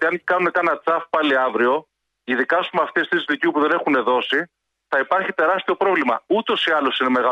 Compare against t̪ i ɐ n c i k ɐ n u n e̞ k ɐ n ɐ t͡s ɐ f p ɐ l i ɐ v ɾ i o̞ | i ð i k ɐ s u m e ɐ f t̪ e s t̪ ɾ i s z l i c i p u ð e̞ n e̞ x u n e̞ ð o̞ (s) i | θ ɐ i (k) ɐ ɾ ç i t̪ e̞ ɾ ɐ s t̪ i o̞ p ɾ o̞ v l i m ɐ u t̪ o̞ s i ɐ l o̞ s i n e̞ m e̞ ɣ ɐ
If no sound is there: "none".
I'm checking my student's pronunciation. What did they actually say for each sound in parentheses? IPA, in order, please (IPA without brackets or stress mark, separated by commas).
s, p